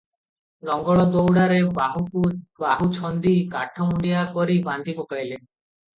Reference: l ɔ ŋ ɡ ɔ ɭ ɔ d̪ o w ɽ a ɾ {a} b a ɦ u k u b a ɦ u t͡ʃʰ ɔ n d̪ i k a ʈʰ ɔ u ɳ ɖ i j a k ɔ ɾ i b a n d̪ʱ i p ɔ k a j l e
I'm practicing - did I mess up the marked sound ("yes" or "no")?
yes